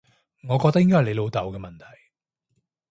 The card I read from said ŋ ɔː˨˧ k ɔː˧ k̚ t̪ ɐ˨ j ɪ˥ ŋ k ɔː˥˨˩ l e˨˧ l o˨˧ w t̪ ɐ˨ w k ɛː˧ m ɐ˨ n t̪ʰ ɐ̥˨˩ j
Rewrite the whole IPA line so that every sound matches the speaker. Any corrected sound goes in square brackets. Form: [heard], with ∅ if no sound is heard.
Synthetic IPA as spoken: ŋ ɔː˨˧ k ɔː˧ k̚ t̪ [ɐ˥] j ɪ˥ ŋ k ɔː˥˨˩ l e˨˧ l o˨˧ w t̪ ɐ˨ w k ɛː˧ m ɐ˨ n t̪ʰ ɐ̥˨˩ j